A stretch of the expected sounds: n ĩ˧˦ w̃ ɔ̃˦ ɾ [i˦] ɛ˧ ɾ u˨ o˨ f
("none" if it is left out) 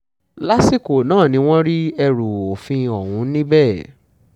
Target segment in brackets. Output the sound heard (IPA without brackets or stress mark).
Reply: i˦